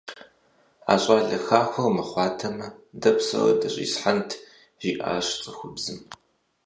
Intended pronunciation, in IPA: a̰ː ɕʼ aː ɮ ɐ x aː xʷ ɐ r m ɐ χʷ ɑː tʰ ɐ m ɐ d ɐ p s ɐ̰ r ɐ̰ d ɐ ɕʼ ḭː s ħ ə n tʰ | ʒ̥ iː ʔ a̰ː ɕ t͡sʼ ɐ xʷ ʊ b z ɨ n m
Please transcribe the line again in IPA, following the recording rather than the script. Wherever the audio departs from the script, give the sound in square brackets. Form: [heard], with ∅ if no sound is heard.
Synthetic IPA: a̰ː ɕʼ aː ɮ ɐ x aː xʷ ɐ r m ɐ χʷ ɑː tʰ ɐ m ɐ d ɐ p s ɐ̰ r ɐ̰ d ɐ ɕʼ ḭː s ħ [a] n tʰ | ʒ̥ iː ʔ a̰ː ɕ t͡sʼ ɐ xʷ ʊ b z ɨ [∅] m